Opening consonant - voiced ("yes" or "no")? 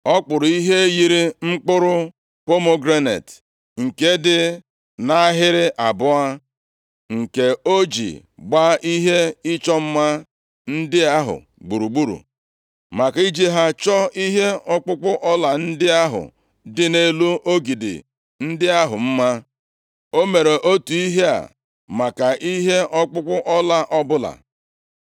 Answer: no